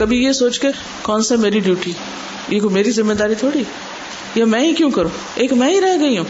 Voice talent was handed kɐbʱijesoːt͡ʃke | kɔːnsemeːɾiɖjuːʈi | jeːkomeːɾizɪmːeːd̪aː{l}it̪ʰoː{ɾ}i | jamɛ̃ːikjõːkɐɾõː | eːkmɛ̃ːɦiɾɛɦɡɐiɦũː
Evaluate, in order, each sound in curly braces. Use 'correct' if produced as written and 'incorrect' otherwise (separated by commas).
incorrect, incorrect